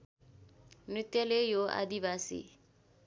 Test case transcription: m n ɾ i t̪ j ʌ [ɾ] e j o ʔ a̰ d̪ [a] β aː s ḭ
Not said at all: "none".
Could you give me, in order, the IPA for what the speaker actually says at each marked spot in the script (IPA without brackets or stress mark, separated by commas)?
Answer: l, i